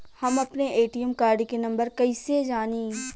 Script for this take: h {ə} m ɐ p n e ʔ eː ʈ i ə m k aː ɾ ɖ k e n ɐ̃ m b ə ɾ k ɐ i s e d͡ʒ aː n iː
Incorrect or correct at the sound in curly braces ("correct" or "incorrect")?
incorrect